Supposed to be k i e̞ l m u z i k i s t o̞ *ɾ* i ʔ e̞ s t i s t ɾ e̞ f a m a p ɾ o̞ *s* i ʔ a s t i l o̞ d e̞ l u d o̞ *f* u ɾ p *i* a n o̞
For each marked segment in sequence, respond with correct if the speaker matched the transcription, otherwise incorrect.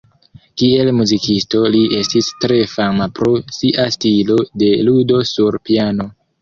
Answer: incorrect: l, correct, incorrect: s, correct

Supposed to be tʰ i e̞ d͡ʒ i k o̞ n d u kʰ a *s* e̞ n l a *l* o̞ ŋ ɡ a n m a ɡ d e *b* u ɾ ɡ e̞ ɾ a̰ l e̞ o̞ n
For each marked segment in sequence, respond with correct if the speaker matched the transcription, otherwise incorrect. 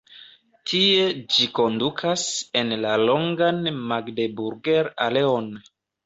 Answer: correct, correct, correct

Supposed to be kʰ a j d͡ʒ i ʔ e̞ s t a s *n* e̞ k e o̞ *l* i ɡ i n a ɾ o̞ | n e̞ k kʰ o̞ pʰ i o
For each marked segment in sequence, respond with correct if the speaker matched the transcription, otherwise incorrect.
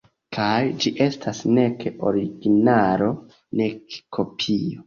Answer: correct, incorrect: ɾ

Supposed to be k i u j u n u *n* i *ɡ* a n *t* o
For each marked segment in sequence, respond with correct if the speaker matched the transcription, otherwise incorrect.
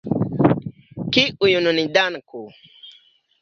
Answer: correct, incorrect: d, incorrect: k

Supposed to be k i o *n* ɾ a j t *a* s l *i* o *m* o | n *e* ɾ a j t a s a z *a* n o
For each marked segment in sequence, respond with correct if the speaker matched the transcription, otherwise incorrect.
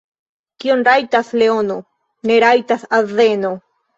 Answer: correct, correct, incorrect: e, incorrect: n, correct, incorrect: e

